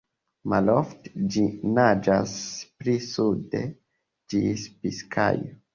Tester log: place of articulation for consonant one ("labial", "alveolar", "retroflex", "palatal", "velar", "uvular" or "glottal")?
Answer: labial